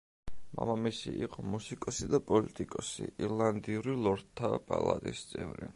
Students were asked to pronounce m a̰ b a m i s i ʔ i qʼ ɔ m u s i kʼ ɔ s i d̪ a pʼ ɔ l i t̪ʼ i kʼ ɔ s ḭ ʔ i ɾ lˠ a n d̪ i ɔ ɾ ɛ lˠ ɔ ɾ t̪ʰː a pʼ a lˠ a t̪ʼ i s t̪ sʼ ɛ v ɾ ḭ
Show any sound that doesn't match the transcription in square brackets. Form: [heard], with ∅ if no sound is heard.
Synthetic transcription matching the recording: m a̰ [m] a m i s i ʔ i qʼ ɔ m u s i kʼ ɔ s i d̪ a pʼ ɔ l i t̪ʼ i kʼ ɔ s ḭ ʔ i ɾ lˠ a n d̪ i [u] ɾ [i] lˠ ɔ ɾ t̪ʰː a pʼ a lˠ a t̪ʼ i s t̪ sʼ ɛ v ɾ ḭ

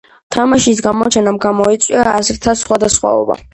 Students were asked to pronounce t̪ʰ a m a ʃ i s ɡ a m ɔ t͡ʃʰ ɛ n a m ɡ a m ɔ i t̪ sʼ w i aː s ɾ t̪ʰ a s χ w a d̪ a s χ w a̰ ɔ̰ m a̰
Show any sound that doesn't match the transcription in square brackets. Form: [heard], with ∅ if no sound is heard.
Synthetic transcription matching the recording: t̪ʰ a m a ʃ i s ɡ a m ɔ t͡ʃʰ ɛ n a m ɡ a m ɔ i t̪ sʼ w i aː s ɾ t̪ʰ a s χ w a d̪ a s χ w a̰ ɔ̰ [b] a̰

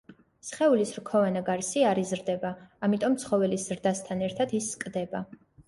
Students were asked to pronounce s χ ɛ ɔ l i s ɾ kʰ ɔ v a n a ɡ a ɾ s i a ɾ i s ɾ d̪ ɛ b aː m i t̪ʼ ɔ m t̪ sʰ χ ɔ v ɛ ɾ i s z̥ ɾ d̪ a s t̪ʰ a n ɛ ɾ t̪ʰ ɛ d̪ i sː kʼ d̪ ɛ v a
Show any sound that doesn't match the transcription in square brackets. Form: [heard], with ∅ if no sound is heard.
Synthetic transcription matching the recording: s χ ɛ [u] l i s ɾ kʰ ɔ v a n a ɡ a ɾ s i a ɾ i [z] ɾ d̪ ɛ b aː m i t̪ʼ ɔ m t̪ sʰ χ ɔ v ɛ [l] i s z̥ ɾ d̪ a s t̪ʰ a n ɛ ɾ t̪ʰ [a] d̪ i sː kʼ d̪ ɛ [b] a

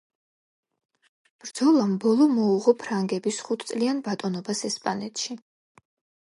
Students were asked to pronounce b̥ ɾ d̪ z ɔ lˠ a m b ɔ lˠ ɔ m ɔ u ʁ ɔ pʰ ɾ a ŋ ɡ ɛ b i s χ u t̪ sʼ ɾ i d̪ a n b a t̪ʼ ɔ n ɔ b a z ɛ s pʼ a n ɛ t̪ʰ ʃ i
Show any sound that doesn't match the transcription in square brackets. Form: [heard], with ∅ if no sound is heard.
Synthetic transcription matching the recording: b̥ ɾ d̪ z ɔ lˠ a m b ɔ lˠ ɔ m ɔ u ʁ ɔ pʰ ɾ a ŋ ɡ ɛ b i s χ u [t̪ʰ] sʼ [l] i [∅] a n b a t̪ʼ ɔ n ɔ b a [s] ɛ s pʼ a n ɛ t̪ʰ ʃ i

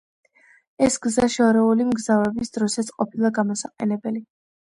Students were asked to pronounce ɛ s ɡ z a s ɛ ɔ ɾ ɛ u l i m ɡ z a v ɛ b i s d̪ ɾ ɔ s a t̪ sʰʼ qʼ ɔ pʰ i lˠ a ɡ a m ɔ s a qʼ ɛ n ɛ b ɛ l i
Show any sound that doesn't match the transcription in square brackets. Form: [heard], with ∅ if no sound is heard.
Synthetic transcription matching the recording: ɛ s ɡ z a [ʃ] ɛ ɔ ɾ ɛ u l i m ɡ z a v ɛ b i s d̪ ɾ ɔ s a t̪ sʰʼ qʼ ɔ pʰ i lˠ a ɡ a m ɔ s a qʼ ɛ n ɛ b ɛ l i

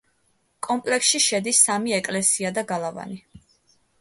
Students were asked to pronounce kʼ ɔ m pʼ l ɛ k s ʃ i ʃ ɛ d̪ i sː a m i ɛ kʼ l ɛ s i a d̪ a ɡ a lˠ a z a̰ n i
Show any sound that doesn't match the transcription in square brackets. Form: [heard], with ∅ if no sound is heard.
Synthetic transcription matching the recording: kʼ ɔ m pʼ l ɛ k s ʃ i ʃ ɛ d̪ i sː a m i ɛ kʼ l ɛ s i a d̪ a ɡ a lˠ a [v] a̰ n i

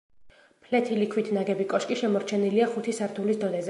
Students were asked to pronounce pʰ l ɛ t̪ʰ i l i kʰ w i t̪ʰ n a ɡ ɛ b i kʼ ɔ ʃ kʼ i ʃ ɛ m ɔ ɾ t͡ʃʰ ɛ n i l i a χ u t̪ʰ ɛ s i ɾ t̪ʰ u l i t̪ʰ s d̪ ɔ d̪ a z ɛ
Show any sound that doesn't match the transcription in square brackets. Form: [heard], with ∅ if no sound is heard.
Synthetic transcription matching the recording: pʰ l ɛ t̪ʰ i l i kʰ w i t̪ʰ n a ɡ ɛ b i kʼ ɔ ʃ kʼ i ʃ ɛ m ɔ ɾ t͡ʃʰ ɛ n i l i a χ u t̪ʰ [i] s [a] ɾ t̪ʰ u l i [∅] s d̪ ɔ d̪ [ɛ] z ɛ

